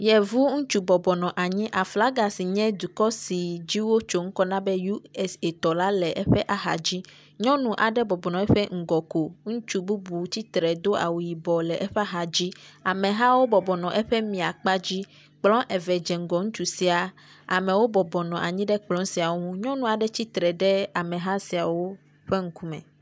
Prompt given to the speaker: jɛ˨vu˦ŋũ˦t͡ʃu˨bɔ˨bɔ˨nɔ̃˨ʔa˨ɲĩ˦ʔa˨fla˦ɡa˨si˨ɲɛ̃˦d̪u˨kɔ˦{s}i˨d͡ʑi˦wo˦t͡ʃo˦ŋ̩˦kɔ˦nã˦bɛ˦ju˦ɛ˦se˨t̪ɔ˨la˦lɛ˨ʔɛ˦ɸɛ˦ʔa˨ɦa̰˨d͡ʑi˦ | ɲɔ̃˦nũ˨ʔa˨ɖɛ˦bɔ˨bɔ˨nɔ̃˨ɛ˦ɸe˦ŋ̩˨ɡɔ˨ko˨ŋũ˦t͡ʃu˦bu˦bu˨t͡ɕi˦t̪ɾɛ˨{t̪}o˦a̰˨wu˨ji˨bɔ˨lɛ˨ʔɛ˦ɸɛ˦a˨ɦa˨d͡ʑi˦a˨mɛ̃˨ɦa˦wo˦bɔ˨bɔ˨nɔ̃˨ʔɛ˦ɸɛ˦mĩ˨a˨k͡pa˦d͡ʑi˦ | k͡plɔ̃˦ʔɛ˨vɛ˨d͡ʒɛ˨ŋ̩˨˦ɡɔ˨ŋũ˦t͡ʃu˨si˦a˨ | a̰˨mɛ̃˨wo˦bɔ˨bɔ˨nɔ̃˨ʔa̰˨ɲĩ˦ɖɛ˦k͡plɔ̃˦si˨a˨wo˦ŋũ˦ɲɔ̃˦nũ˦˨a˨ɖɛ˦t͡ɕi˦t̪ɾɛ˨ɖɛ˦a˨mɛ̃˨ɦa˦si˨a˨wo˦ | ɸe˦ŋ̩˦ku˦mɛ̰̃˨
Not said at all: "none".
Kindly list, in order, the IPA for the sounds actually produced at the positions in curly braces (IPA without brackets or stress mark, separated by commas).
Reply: s, d̪